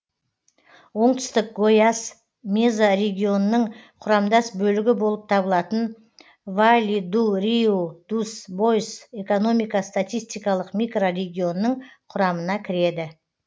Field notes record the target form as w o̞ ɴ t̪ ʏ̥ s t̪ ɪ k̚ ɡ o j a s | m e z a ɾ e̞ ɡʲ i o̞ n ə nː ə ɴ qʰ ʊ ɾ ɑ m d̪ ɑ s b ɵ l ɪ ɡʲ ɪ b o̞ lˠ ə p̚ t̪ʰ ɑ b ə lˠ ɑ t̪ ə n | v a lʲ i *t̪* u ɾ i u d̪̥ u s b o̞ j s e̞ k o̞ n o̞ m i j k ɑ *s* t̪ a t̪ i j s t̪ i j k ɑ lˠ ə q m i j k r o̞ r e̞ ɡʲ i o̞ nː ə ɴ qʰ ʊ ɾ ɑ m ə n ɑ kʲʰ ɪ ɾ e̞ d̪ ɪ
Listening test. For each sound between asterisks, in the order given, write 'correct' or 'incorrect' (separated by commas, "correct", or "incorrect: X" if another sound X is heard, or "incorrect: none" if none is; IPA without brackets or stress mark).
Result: incorrect: d̪, correct